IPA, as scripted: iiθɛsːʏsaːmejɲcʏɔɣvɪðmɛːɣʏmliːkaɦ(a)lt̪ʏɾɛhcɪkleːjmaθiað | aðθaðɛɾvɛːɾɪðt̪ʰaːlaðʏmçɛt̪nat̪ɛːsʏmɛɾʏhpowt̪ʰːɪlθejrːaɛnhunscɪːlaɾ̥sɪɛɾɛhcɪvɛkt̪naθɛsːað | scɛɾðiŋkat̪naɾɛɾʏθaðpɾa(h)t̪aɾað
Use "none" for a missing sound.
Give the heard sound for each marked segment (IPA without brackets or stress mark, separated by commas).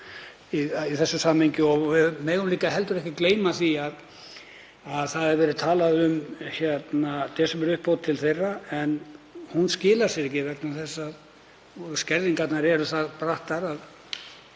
ɛ, h